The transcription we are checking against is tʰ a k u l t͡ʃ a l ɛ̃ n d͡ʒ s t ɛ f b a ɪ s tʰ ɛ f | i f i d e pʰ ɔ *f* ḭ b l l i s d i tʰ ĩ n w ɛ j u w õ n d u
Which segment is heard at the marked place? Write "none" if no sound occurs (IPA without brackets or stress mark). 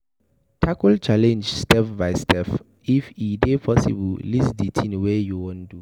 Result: s